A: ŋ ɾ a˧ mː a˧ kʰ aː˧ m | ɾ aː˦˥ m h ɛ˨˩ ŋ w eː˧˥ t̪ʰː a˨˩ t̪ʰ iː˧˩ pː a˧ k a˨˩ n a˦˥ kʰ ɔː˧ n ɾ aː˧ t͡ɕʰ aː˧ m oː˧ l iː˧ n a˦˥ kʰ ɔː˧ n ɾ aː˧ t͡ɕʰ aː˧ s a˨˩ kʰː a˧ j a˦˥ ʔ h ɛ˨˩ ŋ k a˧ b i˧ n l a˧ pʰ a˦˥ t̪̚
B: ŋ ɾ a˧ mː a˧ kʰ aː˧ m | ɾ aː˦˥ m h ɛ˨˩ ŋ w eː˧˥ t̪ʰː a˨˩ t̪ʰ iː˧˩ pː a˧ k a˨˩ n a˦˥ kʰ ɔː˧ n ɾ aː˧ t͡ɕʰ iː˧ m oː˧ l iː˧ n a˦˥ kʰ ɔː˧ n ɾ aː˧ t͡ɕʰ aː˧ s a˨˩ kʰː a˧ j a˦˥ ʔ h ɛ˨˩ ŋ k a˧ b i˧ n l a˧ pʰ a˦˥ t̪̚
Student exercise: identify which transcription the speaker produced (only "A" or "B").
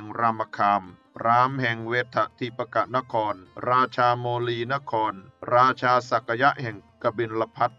A